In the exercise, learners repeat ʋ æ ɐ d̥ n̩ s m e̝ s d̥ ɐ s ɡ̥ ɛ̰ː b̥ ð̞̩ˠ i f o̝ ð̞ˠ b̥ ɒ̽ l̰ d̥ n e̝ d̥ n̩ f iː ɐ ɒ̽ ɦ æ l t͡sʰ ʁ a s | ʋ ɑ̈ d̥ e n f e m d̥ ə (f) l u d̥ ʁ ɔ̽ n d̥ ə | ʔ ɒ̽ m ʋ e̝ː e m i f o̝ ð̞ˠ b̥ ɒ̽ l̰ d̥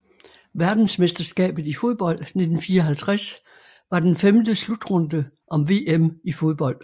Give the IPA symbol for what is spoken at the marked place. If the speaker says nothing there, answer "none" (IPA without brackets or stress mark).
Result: s